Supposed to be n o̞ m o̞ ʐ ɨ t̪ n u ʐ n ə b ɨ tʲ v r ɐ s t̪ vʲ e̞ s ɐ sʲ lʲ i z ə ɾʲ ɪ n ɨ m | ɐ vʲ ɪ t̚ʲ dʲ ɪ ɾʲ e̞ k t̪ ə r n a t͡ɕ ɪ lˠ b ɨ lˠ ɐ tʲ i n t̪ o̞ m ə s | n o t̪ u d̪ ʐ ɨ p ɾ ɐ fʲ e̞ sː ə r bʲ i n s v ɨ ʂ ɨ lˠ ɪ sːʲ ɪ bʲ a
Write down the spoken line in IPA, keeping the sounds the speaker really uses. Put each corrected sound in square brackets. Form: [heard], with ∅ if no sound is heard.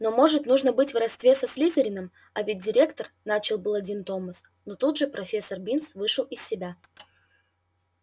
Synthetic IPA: n o̞ m o̞ ʐ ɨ t̪ n u ʐ n ə b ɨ tʲ v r ɐ s t̪ vʲ e̞ s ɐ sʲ lʲ i z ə ɾʲ ɪ n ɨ m | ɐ vʲ ɪ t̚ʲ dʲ ɪ ɾʲ e̞ k t̪ ə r n a t͡ɕ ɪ lˠ b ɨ lˠ ɐ [dʲ] i n t̪ o̞ m ə s | n o t̪ u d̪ ʐ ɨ p ɾ ɐ fʲ e̞ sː ə r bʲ i n s v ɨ ʂ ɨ lˠ ɪ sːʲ ɪ bʲ a